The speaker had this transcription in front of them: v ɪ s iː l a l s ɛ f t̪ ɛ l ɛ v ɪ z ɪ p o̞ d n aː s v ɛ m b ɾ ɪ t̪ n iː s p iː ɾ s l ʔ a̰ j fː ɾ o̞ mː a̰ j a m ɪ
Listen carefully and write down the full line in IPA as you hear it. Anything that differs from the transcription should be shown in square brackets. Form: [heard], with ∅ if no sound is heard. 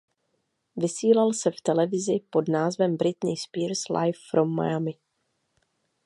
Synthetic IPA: v ɪ s iː l a l s ɛ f t̪ ɛ l ɛ v ɪ z ɪ p o̞ d n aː [z] v ɛ m b ɾ ɪ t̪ n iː s p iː ɾ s l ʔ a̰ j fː ɾ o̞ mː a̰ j a m ɪ